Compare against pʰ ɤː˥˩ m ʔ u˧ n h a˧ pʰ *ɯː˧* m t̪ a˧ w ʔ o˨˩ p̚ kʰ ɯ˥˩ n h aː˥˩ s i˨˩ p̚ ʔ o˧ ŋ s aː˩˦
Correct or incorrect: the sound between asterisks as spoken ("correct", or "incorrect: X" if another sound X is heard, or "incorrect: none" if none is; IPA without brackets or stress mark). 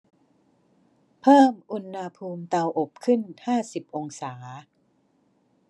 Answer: incorrect: uː˧